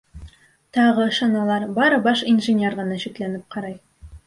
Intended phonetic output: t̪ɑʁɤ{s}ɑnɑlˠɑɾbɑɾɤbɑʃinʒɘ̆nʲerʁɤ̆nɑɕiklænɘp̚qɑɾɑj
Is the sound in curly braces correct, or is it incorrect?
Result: incorrect